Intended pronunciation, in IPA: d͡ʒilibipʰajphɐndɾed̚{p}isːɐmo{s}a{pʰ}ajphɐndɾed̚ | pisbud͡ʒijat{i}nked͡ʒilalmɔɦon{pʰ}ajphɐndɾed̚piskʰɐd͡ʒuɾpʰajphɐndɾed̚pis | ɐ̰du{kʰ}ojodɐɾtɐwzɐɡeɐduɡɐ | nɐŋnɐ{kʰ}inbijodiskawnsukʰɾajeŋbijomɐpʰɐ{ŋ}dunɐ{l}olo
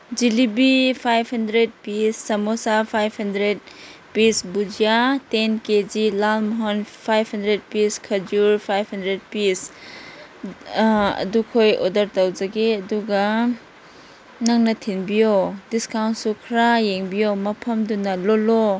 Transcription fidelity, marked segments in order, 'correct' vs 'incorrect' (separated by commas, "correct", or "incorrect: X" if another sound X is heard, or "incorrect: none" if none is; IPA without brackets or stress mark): correct, correct, correct, incorrect: e, correct, correct, incorrect: tʰ, incorrect: m, correct